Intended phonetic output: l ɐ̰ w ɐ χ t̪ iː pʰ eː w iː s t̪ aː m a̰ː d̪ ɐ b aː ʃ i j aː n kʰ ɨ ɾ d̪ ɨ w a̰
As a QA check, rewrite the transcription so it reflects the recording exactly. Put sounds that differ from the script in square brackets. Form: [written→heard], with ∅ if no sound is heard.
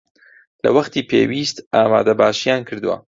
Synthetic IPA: l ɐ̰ w ɐ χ t̪ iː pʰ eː w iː s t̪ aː m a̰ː d̪ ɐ b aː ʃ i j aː n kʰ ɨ ɾ d̪ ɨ w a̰